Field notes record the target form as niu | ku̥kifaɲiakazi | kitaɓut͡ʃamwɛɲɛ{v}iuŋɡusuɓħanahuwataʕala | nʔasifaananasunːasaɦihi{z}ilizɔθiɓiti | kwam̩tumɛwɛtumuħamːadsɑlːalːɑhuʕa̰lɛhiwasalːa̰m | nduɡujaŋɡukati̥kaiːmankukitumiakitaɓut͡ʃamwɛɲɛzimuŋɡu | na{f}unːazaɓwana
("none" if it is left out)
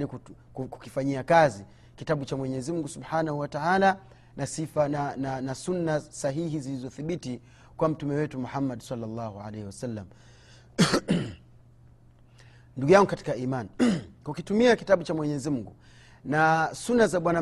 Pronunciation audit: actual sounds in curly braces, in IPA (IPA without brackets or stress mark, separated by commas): z, z, s